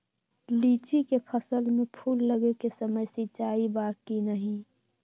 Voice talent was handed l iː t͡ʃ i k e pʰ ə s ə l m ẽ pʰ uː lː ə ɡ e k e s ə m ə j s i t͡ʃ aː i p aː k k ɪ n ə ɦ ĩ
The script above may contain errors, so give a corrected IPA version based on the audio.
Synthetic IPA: l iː t͡ʃ i k e pʰ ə s ə l m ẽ pʰ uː lː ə ɡ e k e s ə m ə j s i t͡ʃ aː i b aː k k i n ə ɦ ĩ